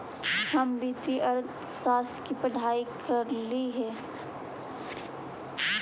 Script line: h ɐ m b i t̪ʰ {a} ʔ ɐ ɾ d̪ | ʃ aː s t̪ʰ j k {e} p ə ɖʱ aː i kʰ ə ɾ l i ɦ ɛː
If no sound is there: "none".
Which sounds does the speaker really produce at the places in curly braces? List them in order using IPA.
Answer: i, i

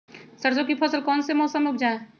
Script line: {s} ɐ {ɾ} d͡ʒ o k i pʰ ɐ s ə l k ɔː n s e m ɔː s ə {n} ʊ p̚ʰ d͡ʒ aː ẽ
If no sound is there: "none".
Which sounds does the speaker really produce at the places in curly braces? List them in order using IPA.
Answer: s, ɾ, m

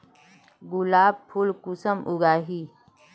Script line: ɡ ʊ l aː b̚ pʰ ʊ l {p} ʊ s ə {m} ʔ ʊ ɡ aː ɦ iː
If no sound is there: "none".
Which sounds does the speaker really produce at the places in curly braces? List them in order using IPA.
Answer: k, m

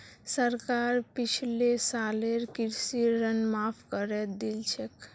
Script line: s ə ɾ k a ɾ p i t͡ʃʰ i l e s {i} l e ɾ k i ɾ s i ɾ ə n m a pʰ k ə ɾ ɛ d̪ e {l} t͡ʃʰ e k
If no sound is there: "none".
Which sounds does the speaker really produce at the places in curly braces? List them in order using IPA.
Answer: a, l

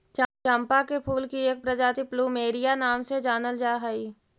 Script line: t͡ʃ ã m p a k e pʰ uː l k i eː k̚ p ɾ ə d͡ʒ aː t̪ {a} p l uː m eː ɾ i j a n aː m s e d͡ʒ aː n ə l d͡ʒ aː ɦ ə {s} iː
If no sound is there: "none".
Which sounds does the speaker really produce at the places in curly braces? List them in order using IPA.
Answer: i, none

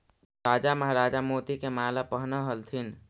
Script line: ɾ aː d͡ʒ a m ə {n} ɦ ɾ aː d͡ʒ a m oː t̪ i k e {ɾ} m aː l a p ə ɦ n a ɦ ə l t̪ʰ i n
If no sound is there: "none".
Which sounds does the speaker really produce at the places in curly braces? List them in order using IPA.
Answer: none, none

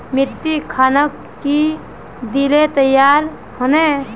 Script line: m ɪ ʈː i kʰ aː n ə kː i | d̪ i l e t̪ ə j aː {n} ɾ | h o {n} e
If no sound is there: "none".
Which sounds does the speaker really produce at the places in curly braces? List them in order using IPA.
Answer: none, n

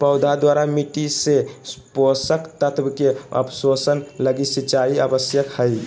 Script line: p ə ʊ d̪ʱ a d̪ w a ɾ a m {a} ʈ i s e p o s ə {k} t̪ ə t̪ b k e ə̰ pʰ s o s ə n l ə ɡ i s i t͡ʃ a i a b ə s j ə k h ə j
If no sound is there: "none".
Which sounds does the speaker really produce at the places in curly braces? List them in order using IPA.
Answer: i, k

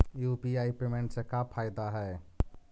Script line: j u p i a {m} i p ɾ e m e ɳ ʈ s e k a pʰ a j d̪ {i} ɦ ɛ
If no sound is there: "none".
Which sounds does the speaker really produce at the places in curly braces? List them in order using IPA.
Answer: none, a

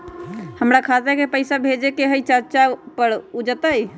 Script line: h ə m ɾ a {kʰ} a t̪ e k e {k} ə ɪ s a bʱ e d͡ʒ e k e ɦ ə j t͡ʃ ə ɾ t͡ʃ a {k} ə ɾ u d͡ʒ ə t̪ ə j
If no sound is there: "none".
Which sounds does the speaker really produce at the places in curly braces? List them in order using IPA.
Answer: kʰ, p, p

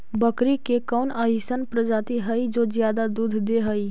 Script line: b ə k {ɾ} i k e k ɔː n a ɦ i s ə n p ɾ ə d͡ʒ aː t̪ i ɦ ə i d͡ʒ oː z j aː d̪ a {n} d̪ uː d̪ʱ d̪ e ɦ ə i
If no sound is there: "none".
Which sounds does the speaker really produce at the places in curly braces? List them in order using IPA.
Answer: ɾ, none

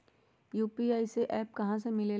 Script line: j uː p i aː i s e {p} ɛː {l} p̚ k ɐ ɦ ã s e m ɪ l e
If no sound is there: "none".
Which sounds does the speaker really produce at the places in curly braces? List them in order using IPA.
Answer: ʔ, none

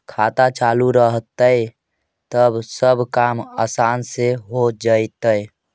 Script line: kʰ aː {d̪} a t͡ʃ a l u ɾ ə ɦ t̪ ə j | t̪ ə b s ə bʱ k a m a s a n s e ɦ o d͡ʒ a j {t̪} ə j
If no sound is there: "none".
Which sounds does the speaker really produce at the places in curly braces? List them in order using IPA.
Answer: t̪, t̪

